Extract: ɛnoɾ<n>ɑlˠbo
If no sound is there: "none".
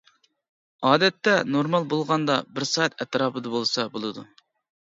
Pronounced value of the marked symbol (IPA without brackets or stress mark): m